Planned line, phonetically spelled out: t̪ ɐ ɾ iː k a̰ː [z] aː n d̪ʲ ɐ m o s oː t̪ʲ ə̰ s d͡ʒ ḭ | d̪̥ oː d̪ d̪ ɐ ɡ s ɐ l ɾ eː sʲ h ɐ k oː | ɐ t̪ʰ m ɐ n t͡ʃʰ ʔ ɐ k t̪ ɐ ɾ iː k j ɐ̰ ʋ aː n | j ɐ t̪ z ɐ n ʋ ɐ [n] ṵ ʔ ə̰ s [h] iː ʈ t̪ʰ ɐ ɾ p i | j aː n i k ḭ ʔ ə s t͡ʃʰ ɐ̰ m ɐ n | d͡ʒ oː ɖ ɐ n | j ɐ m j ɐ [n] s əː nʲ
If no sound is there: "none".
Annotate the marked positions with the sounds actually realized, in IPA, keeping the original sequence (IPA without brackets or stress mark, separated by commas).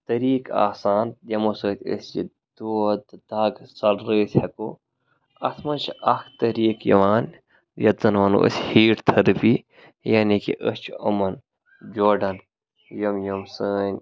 s, n, h, m